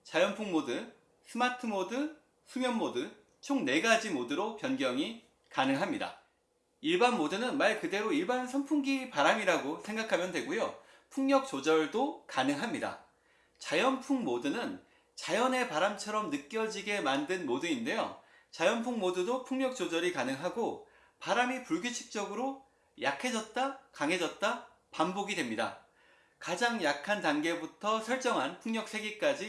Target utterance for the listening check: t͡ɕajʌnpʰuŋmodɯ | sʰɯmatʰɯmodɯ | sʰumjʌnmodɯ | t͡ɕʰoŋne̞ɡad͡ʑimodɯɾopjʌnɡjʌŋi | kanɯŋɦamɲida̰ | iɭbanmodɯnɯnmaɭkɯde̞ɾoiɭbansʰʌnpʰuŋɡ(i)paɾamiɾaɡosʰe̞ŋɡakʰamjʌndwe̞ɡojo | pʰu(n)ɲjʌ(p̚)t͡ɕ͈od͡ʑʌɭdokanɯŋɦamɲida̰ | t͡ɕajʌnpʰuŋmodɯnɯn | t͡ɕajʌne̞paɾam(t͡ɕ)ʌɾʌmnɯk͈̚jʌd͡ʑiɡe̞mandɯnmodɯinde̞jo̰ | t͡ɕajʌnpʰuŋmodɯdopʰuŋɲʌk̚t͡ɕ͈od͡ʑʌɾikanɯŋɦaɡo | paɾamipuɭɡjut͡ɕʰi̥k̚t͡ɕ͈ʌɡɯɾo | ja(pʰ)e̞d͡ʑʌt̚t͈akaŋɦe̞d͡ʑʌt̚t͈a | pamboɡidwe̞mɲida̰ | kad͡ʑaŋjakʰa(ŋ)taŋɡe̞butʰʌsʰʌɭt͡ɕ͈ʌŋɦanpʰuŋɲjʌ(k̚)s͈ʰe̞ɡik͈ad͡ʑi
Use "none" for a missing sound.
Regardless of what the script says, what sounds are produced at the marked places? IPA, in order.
i, ŋ, k̚, t͡ɕʰ, kʰ, n, k̚

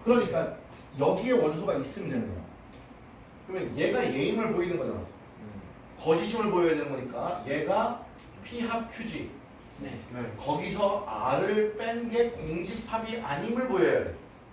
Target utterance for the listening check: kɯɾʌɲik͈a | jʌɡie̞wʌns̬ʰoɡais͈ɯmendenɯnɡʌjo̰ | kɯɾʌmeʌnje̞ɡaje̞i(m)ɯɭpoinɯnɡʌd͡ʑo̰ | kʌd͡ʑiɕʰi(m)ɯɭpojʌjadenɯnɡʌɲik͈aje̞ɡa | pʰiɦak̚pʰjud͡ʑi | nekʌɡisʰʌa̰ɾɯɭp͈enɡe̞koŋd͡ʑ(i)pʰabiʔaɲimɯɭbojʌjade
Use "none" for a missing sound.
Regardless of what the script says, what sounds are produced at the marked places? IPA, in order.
m, m, i

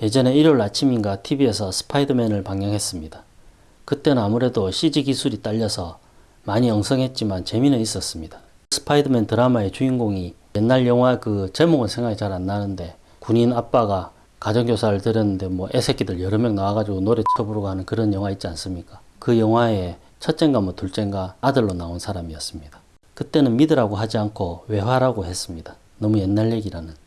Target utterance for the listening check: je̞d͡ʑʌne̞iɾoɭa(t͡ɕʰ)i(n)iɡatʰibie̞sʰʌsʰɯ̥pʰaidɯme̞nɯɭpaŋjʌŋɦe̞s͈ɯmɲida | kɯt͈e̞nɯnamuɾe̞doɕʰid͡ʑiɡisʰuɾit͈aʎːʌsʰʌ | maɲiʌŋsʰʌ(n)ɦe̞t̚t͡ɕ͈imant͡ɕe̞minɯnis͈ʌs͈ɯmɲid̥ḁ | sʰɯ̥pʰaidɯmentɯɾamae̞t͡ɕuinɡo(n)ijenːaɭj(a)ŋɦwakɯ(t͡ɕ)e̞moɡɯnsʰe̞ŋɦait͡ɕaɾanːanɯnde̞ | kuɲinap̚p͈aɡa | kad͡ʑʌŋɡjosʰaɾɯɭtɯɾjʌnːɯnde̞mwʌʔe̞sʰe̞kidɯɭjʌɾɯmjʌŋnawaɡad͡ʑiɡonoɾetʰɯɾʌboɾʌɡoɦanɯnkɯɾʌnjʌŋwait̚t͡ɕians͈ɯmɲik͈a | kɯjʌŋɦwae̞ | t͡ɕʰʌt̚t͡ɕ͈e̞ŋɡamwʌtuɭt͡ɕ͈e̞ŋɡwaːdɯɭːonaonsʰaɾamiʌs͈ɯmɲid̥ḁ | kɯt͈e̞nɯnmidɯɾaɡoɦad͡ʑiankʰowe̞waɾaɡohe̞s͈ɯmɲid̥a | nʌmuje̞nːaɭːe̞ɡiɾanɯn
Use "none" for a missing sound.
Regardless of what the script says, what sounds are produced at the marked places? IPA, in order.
t͡ɕʰ, m, ŋ, ŋ, ʌ, t͡ɕ

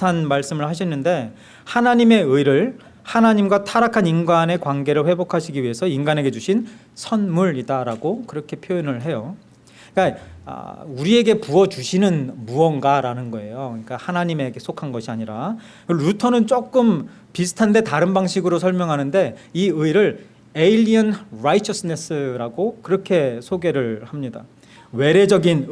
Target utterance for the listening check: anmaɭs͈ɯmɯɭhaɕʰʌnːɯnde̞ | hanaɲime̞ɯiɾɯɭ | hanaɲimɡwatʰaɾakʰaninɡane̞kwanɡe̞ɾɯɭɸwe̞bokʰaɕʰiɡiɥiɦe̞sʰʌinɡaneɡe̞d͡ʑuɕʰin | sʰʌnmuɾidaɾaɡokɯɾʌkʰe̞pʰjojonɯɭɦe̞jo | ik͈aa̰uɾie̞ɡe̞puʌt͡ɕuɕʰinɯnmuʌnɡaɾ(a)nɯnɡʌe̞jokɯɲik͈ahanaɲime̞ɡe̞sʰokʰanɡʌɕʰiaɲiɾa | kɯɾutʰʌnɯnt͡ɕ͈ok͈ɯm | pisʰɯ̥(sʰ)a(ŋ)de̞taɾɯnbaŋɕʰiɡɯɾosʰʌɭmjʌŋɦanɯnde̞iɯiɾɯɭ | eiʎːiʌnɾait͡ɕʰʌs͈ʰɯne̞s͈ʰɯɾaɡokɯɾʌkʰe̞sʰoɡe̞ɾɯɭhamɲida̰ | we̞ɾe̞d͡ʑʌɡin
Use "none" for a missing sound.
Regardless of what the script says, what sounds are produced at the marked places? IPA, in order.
a, tʰ, n

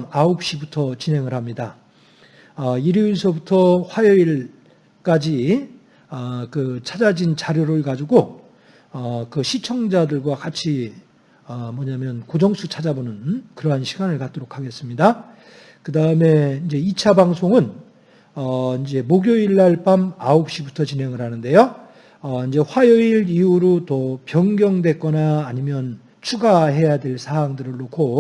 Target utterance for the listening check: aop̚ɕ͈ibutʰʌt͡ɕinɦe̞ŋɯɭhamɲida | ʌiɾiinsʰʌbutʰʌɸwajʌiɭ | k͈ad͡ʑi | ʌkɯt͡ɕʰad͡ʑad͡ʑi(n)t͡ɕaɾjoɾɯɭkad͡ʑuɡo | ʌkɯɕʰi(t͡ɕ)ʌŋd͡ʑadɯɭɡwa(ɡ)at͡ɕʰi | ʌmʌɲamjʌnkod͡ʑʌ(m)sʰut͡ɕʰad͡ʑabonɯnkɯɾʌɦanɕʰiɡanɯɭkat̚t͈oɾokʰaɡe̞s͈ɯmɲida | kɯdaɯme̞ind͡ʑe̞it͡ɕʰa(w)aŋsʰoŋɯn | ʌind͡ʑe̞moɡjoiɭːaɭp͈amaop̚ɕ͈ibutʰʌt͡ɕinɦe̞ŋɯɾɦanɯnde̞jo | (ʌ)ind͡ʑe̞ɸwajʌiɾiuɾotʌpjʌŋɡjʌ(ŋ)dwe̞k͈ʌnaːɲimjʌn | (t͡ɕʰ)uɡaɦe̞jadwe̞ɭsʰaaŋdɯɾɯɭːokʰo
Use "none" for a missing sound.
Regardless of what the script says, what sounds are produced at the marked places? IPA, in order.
n, t͡ɕʰ, k, ŋ, b, ʌ, ŋ, t͡ɕʰ

